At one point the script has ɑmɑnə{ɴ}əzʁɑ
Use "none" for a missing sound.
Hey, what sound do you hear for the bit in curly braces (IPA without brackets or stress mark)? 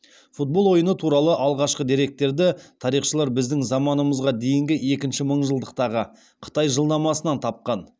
m